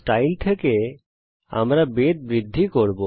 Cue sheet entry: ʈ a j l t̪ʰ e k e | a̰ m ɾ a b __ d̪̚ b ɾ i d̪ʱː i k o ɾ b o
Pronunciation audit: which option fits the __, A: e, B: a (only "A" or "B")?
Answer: A